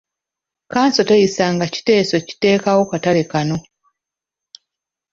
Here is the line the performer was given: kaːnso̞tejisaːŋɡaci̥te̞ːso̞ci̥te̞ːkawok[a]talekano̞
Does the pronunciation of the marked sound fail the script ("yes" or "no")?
no